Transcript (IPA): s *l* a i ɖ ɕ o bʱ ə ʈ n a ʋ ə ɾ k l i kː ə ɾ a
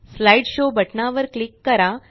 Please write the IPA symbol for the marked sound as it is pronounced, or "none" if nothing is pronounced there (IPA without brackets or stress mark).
l